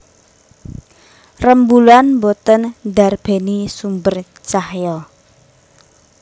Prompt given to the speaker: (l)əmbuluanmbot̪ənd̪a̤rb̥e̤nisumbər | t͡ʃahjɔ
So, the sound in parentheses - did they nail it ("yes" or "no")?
no